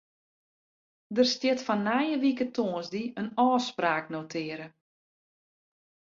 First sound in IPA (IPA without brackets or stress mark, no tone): d